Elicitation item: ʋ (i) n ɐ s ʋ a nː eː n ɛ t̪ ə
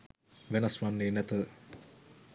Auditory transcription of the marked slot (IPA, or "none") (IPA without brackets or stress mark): e